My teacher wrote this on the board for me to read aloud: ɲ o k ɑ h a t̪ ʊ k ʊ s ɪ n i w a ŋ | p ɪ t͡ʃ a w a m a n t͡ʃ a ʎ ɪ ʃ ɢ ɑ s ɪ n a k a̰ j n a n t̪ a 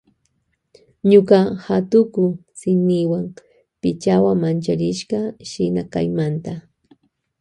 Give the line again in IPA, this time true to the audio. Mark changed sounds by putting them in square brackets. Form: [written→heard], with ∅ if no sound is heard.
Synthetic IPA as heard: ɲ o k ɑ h a t̪ ʊ k ʊ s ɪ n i w a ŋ | p ɪ t͡ʃ a w a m a n t͡ʃ a [ʎ→ɾ] ɪ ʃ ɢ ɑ [s→ʃ] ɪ n a k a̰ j [n→m] a n t̪ a